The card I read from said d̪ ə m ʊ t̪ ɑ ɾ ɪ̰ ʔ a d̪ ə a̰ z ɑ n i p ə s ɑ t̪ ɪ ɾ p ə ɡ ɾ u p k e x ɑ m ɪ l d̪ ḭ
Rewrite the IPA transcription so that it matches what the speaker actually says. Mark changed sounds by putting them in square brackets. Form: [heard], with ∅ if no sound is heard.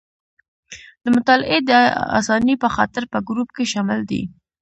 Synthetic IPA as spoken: d̪ ə m ʊ t̪ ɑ [l] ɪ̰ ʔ [e] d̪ ə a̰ [s] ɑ n i p ə [x] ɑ t̪ ɪ ɾ p ə ɡ ɾ u p k e [ʃ] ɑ m ɪ l d̪ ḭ